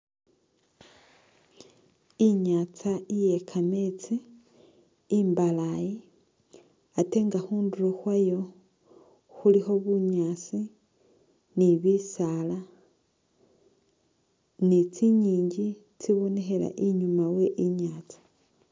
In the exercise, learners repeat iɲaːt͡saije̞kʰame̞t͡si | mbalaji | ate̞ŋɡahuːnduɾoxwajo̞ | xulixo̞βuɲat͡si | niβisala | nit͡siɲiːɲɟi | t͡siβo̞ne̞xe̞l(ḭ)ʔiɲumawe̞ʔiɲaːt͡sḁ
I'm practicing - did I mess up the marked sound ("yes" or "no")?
yes